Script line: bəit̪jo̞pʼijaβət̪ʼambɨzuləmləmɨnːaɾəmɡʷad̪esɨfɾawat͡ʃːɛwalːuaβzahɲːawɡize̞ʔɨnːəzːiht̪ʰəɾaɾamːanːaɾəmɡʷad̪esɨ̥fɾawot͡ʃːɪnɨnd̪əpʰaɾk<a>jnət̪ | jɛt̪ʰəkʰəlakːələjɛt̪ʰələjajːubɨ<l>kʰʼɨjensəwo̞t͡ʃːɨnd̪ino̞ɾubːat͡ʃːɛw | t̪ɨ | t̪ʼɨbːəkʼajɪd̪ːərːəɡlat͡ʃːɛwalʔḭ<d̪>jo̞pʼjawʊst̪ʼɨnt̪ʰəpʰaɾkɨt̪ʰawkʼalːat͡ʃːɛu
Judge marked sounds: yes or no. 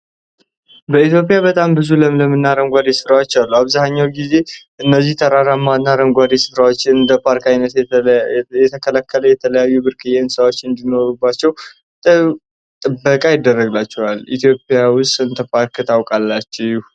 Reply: yes, no, no

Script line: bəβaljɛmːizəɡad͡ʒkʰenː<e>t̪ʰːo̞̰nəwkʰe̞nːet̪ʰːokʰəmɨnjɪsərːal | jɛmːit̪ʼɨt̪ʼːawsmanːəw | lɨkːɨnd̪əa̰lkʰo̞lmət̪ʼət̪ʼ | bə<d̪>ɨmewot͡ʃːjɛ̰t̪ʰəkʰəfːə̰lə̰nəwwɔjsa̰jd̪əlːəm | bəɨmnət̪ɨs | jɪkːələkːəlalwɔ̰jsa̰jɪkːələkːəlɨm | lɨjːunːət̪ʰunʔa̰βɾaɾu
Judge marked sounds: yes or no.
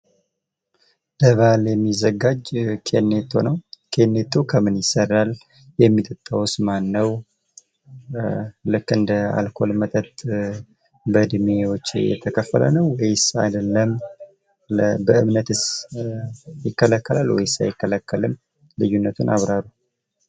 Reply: yes, yes

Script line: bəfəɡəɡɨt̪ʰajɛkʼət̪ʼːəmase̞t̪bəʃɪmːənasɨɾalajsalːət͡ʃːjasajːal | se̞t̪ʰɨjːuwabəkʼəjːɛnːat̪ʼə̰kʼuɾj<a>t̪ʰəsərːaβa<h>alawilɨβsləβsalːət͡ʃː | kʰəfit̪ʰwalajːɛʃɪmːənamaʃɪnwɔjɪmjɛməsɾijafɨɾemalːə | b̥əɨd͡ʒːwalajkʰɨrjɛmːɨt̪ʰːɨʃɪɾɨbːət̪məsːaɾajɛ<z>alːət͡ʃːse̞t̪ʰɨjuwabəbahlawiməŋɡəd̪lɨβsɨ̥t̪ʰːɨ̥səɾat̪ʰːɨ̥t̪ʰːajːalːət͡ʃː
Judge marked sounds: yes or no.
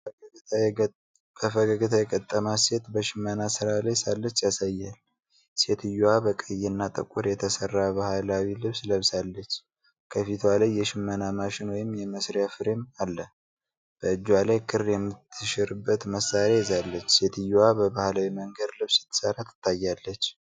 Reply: no, yes, yes

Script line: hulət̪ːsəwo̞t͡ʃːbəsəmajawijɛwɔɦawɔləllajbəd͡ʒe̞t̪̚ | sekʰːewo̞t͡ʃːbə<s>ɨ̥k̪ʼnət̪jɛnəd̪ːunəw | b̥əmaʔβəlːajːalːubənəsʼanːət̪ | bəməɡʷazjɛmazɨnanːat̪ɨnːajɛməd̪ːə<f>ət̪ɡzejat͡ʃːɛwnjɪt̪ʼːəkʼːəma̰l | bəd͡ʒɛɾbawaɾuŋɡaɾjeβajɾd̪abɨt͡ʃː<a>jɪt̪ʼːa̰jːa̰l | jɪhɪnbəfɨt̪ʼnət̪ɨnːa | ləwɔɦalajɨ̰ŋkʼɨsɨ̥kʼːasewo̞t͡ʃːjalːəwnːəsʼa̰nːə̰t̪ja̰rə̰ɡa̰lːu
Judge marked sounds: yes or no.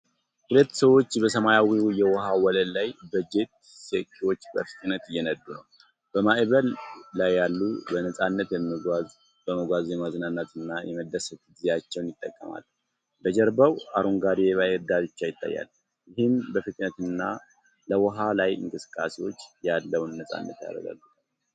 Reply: no, no, yes

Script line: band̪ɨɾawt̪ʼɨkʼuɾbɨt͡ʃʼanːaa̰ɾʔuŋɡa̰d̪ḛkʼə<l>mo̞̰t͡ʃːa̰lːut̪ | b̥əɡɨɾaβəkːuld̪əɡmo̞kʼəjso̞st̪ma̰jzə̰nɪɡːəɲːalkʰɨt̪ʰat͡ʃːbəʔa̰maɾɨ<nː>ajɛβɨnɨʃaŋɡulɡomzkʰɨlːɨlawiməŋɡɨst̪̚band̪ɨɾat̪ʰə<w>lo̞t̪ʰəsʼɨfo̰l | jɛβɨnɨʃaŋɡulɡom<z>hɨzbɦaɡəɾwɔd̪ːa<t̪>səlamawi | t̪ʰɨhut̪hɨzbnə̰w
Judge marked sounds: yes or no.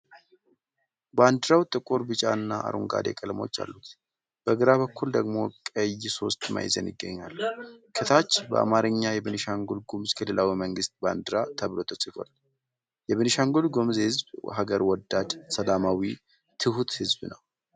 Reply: yes, no, no, yes, no

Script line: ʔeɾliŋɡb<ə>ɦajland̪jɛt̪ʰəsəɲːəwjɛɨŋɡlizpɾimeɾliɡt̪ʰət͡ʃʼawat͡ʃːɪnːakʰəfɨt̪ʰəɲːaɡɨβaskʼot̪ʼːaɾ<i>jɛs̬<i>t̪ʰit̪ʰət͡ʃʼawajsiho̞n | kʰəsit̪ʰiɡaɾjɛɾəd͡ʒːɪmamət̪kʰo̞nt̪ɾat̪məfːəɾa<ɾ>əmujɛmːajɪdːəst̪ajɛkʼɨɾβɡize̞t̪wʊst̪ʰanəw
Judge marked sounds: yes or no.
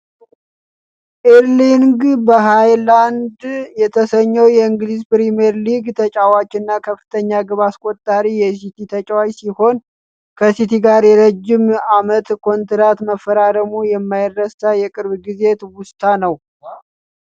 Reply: yes, yes, yes, yes

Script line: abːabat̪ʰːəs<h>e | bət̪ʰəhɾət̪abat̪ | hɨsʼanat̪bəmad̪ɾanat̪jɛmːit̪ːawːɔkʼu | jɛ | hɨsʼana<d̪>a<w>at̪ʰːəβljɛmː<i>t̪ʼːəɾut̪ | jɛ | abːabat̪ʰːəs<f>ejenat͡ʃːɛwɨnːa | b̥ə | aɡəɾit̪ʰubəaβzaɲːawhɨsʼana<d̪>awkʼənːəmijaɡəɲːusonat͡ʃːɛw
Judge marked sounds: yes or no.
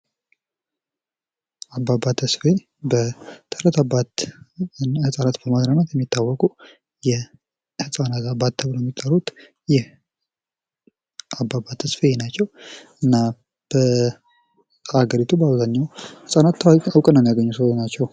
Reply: no, no, no, yes, yes, no

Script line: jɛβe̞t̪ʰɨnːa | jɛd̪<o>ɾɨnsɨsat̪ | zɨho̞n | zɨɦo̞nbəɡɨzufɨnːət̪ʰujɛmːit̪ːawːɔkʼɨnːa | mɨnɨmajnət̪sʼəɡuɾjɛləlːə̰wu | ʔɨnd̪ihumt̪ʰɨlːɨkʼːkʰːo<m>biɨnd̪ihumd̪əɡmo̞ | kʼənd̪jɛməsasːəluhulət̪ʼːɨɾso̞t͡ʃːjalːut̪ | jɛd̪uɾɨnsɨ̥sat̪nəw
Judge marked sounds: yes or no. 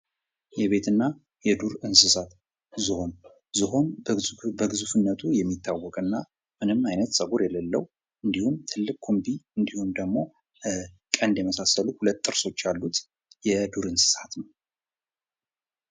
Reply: no, yes

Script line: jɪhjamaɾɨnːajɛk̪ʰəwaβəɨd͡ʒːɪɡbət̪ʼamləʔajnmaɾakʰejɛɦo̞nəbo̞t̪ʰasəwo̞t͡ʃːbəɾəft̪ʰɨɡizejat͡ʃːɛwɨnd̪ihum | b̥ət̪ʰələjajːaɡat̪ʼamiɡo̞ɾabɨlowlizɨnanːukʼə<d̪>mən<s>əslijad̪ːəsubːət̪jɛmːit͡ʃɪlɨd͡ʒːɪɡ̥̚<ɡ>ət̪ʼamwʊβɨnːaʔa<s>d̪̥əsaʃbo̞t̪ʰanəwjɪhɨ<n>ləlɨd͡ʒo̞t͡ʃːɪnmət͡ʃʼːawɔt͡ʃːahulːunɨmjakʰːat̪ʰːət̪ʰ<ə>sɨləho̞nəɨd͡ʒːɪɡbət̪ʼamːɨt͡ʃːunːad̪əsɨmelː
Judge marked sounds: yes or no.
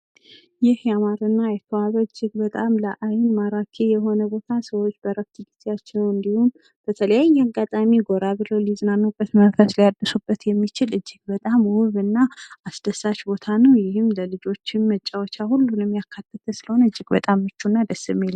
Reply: no, no, no, yes, no, yes

